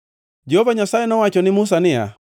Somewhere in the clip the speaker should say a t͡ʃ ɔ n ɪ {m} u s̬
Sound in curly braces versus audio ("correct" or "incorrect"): correct